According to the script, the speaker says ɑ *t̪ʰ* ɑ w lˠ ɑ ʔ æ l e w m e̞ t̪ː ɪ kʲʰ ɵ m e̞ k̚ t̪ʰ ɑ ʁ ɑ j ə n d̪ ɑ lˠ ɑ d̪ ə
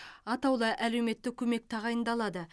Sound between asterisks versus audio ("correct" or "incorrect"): incorrect